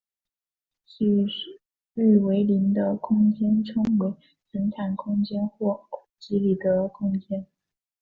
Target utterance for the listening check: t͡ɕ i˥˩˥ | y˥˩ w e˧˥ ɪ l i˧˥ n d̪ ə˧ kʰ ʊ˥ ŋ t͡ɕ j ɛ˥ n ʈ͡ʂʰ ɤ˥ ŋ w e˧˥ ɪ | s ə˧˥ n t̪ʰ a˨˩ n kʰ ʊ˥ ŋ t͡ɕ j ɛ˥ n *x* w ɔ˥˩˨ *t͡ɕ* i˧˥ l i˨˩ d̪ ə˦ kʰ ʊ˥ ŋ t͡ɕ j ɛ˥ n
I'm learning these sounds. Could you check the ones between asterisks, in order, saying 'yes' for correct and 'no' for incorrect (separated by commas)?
yes, yes